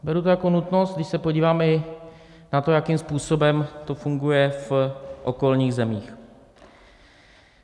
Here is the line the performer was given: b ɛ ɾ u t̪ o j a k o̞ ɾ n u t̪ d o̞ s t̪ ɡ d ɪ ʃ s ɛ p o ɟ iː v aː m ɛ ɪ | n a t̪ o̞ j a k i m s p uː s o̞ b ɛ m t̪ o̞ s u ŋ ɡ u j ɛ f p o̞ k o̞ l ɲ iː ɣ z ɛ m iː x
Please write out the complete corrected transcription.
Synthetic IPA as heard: b ɛ ɾ u t̪ o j a k o̞ n u t̪ n o̞ s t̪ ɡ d ɪ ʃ s ɛ p o ɟ iː v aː m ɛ ɪ | n a t̪ o̞ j a k i m s p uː s o̞ b ɛ m t̪ o̞ f u ŋ ɡ u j ɛ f ʔ o̞ k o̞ l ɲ iː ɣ z ɛ m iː x